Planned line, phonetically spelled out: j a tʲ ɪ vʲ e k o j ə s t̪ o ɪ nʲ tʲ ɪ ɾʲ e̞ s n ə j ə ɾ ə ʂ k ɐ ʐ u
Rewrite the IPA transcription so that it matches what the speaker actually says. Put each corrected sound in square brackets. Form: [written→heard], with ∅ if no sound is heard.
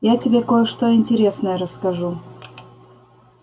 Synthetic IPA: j a tʲ ɪ [vʲ→bʲ] e k o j ə [s→ʂ] t̪ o ɪ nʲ tʲ ɪ ɾʲ e̞ s n ə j ə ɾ ə [ʂ→s] k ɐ ʐ u